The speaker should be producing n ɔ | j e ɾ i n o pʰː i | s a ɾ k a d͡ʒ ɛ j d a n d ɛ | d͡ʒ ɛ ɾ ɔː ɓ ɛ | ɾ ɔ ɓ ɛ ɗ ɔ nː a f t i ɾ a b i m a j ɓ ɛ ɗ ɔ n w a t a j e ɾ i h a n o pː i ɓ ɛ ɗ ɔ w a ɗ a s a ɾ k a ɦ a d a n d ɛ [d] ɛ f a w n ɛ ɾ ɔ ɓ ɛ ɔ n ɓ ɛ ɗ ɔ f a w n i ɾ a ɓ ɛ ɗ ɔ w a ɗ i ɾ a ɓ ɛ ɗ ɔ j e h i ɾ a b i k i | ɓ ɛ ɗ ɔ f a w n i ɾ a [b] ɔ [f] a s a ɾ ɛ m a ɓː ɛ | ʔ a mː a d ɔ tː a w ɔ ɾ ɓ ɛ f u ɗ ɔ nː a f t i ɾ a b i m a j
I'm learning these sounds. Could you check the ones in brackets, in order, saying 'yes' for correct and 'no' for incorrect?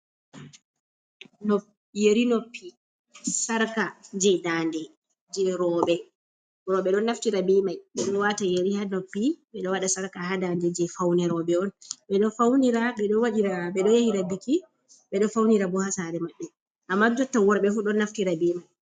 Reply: no, yes, no

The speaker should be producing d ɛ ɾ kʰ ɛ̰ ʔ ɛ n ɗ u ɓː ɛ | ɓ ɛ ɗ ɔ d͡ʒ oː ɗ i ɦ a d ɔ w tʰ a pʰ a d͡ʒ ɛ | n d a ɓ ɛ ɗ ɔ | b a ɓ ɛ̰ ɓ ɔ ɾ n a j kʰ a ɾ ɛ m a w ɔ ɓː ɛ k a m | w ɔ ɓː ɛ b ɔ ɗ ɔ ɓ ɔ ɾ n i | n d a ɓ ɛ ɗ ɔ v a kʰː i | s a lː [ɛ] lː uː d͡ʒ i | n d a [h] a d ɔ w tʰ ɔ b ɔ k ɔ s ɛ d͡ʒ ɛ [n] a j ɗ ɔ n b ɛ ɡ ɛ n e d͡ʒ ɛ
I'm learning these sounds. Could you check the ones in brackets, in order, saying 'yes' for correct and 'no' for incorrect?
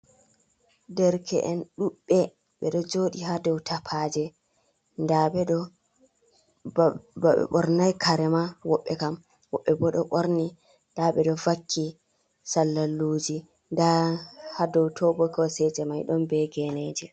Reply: no, yes, no

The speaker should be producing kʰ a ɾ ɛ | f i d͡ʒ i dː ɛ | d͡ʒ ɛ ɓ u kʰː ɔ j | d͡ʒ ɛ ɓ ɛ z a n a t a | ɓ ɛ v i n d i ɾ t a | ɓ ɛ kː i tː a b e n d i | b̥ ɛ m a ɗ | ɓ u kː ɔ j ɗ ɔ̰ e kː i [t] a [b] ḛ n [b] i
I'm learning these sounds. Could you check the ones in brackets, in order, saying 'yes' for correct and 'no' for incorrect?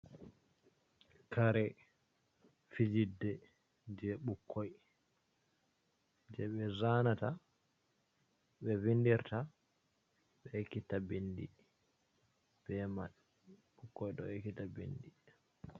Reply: yes, yes, no

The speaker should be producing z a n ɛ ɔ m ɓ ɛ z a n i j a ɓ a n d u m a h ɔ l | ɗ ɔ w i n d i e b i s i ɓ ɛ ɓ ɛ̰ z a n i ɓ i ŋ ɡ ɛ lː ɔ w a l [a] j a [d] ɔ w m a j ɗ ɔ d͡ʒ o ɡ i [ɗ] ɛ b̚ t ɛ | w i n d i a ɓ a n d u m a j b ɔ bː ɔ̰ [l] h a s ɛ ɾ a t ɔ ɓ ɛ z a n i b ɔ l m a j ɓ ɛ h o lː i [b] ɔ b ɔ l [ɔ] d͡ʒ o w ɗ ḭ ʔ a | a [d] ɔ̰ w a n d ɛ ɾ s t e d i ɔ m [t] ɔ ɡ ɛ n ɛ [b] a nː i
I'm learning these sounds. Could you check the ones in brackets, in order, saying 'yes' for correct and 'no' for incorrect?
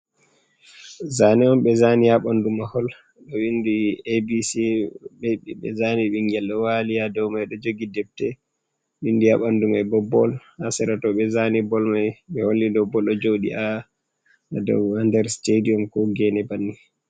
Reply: no, yes, no, yes, no, yes, yes, no, yes

